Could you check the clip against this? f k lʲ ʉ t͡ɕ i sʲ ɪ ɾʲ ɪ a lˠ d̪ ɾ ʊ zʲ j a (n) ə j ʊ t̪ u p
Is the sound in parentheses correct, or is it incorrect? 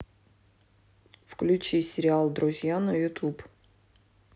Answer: correct